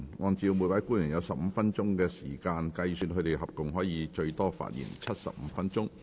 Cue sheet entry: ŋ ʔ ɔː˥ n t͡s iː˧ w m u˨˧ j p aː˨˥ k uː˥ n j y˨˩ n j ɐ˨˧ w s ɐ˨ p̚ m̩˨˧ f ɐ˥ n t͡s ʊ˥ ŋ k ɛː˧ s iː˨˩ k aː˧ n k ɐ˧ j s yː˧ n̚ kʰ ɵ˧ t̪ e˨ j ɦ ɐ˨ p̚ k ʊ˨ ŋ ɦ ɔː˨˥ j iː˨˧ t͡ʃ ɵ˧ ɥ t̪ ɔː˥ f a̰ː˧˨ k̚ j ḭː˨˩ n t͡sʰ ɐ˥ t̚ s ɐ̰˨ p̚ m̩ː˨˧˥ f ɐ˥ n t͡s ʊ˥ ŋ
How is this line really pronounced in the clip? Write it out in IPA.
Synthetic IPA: ŋ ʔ ɔː˧ n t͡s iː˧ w m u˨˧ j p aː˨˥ k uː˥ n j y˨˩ n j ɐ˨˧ w s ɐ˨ p̚ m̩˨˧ f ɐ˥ n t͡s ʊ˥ ŋ k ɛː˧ s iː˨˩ k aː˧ n k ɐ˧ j s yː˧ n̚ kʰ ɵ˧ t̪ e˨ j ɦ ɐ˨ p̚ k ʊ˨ ŋ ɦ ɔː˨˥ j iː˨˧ t͡ʃ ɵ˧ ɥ t̪ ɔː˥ f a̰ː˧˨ t̚ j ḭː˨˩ n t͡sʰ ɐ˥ t̚ s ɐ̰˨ p̚ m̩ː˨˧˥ f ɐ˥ n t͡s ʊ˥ ŋ

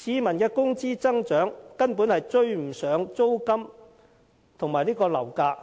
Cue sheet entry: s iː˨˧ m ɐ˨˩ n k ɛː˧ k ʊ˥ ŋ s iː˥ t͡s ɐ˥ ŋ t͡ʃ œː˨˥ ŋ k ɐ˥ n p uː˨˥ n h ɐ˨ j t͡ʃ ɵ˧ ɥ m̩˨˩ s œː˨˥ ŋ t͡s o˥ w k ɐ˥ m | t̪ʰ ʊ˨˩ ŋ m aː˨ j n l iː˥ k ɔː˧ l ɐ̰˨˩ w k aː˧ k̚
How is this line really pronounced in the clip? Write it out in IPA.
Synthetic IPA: s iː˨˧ m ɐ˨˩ n k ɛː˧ k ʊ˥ ŋ t͡s iː˥ t͡s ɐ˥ ŋ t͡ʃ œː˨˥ ŋ k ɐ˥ n p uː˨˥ n h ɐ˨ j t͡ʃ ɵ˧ ɥ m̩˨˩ s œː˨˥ ŋ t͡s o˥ w k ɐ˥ m | t̪ʰ ʊ˨˩ ŋ m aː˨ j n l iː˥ k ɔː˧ l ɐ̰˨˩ w k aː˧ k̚

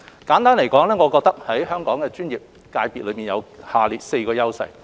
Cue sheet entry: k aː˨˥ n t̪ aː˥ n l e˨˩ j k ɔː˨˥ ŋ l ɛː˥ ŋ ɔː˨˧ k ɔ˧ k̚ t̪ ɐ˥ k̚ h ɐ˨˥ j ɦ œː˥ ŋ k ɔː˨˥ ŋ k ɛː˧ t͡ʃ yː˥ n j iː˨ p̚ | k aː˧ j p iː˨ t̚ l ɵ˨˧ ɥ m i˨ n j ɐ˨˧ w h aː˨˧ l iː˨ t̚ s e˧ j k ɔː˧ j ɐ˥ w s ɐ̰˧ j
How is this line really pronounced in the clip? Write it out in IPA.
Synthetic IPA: k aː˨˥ n t̪ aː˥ n l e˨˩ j k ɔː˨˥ ŋ l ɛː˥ ŋ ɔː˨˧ k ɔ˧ k̚ t̪ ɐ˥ k̚ h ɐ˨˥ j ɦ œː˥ ŋ k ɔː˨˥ ŋ k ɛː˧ t͡ʃ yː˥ n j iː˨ p̚ | k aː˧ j p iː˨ t̚ l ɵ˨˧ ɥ m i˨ n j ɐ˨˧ w h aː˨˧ l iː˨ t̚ s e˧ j k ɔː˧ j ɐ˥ w s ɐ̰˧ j

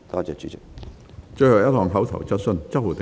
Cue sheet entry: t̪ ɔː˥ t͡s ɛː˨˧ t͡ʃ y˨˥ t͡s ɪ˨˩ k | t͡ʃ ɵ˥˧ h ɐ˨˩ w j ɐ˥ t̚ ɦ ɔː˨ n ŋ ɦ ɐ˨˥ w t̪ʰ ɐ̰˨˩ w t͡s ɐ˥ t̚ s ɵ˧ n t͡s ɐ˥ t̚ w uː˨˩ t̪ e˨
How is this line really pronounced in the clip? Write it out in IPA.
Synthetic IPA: t̪ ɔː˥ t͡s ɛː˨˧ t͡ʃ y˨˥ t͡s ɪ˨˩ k | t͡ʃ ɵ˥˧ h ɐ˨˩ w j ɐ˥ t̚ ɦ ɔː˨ ŋ ɦ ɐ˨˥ w t̪ʰ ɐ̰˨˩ w t͡s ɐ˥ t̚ s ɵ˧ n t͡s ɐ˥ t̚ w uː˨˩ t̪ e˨

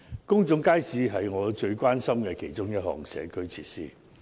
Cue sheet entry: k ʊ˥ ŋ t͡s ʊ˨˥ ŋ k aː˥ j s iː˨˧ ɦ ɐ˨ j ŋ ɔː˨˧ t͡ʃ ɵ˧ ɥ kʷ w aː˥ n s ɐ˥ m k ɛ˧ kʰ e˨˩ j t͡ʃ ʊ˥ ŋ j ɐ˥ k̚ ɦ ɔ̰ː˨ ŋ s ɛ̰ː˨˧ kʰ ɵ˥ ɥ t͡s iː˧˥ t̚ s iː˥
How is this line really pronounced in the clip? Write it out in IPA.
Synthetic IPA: k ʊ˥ ŋ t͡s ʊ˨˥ ŋ k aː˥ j s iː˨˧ ɦ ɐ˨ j ŋ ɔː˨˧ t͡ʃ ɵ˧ ɥ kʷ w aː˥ n s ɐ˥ m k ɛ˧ kʰ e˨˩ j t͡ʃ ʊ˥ ŋ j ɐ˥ t̚ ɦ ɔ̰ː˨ ŋ s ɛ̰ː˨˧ kʰ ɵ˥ ɥ t͡sʰ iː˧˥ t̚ s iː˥

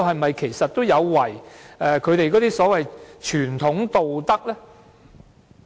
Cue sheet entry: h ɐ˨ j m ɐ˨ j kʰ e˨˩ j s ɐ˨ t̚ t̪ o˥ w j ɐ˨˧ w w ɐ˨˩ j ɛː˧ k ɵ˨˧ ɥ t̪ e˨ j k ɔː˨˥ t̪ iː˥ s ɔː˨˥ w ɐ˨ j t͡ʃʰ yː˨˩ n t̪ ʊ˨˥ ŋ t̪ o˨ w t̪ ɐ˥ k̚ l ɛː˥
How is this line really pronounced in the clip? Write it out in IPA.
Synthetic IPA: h ɐ˨ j m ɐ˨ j kʰ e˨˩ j s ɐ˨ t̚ t̪ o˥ w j ɐ˨˧ w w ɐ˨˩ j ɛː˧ kʰ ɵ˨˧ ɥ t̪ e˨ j k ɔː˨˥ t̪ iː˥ s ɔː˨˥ w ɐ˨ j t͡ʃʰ yː˨˩ n t̪ʰ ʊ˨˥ ŋ t̪ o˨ w t̪ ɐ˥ k̚ l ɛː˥

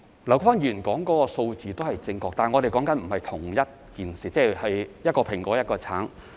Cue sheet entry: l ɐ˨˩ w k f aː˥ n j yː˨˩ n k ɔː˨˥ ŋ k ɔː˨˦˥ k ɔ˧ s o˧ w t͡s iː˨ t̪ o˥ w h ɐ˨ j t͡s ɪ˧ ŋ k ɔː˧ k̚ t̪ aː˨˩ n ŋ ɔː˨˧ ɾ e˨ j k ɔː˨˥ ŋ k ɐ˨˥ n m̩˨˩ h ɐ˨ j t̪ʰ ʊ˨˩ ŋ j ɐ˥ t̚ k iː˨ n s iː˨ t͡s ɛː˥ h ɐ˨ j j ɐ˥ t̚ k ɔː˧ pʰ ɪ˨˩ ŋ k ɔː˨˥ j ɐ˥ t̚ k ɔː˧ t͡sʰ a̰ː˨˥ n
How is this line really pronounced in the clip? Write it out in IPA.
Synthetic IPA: l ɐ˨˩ w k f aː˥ n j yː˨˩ n k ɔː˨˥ ŋ k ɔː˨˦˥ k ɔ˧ s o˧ w t͡s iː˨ t̪ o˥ w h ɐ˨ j t͡s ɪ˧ ŋ k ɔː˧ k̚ t̪ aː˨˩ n ŋ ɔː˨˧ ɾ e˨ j k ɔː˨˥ ŋ k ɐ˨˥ n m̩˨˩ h ɐ˨ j t̪ʰ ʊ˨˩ ŋ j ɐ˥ t̚ k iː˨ n s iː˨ t͡s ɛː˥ h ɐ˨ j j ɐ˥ t̚ k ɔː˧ pʰ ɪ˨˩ ŋ k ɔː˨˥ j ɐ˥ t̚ k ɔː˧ t͡sʰ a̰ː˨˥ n

